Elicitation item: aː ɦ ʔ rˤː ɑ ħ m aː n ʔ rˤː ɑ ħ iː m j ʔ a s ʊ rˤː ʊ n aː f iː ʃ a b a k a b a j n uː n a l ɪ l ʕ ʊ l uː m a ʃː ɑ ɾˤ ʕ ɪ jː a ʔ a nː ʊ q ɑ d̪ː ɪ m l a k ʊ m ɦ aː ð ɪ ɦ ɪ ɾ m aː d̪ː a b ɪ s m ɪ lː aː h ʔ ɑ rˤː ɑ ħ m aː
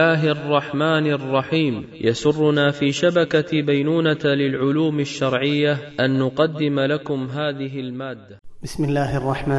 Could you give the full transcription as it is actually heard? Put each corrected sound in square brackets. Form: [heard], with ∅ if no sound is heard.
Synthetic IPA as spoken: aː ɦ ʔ rˤː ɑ ħ m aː n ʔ rˤː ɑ ħ iː m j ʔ a s ʊ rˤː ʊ n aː f iː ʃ a b a k a b a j n uː n a l ɪ l ʕ ʊ l uː m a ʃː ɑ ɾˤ ʕ ɪ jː a ʔ a nː ʊ q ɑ d̪ː ɪ m l a k ʊ m ɦ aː ð ɪ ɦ ɪ [l] m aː d̪ː a b ɪ s m ɪ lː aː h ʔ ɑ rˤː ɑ ħ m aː